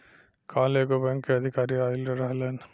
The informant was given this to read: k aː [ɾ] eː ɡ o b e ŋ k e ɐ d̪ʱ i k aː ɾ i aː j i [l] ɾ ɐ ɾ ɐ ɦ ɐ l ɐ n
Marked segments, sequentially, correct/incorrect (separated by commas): incorrect, correct